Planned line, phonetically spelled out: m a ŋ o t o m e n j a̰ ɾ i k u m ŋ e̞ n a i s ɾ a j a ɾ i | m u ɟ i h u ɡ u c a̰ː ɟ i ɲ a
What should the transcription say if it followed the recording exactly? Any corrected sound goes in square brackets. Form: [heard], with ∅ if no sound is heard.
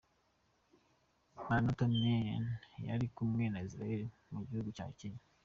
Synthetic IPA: m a [n] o t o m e n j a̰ ɾ i k u m ŋ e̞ n a i s ɾ a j [e] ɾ i | m u ɟ i h u ɡ u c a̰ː [c] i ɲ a